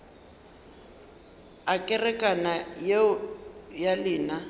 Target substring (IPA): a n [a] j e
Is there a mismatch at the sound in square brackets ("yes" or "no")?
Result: no